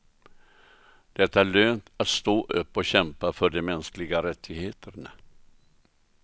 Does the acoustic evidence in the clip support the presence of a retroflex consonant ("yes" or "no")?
yes